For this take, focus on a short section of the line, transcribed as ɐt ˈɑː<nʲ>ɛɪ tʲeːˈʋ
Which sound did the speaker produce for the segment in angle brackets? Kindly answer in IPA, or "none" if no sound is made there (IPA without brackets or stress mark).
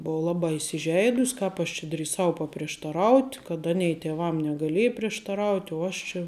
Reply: nʲ